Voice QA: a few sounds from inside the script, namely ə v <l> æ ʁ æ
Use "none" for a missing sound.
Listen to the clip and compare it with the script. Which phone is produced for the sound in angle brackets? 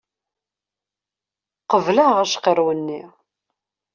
l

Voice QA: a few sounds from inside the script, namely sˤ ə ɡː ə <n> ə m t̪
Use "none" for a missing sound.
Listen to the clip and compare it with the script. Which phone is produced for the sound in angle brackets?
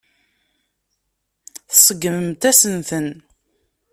m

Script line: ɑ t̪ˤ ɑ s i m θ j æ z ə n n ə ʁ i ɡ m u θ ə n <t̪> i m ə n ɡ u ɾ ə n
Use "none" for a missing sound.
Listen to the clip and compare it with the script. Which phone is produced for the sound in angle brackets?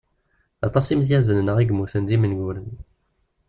d̪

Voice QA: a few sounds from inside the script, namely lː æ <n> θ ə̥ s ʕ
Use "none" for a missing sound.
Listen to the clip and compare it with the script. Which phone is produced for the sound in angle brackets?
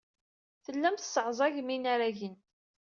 m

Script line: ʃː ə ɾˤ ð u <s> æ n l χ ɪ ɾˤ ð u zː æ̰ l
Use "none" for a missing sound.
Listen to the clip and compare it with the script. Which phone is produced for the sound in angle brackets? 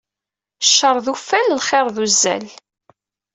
f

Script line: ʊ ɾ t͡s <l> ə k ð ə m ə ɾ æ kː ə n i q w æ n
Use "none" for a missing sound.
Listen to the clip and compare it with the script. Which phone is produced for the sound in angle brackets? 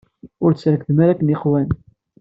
ɾ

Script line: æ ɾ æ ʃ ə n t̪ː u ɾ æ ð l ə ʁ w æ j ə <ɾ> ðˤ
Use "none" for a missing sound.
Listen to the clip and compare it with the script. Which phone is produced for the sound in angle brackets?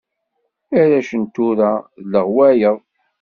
none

